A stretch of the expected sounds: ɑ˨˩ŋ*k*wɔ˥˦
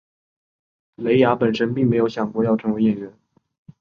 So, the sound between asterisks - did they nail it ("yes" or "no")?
yes